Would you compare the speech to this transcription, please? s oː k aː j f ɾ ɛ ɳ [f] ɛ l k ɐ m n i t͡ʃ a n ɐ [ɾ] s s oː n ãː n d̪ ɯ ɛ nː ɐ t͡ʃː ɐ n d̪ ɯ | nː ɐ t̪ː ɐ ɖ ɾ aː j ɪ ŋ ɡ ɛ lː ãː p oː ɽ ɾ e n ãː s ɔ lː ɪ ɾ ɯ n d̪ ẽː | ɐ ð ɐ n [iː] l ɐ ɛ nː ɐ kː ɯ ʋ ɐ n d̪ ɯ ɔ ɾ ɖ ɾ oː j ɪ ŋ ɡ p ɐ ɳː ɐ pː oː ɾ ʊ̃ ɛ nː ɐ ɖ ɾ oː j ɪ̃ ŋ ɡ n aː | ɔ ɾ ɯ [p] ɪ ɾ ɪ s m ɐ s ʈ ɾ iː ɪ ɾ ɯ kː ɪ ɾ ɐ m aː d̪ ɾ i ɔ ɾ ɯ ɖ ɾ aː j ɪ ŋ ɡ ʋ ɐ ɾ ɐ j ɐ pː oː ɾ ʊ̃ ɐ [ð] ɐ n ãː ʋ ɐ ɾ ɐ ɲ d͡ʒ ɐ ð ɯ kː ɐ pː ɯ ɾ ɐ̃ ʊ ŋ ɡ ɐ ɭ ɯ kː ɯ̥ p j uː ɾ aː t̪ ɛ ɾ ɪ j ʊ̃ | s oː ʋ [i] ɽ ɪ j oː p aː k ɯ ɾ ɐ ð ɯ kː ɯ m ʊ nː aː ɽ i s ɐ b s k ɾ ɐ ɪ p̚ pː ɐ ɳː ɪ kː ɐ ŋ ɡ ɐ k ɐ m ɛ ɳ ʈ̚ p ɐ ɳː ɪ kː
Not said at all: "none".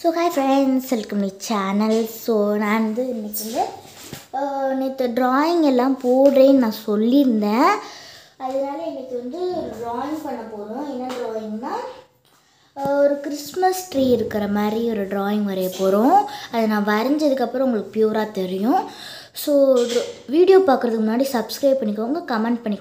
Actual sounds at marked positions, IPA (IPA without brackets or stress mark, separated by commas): s, l, aː, k, ð, iː